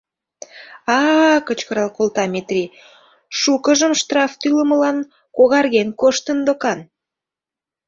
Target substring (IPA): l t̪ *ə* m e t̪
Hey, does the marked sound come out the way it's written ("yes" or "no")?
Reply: no